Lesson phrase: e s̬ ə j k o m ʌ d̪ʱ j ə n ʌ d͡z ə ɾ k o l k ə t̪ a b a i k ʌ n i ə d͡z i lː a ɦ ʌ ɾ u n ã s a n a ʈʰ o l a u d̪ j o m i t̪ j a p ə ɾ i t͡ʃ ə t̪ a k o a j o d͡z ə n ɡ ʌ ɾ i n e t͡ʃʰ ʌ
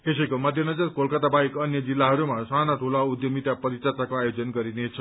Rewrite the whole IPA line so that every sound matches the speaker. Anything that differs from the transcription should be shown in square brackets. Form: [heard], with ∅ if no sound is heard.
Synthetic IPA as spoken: e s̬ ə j k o m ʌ d̪ʱ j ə n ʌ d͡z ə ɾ k o l k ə t̪ a b a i k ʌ n [j] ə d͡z i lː a ɦ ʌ ɾ u [m] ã s a n a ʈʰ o l a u d̪ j o m i t̪ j a p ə ɾ i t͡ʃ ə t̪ a k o a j o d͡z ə n ɡ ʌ ɾ i n e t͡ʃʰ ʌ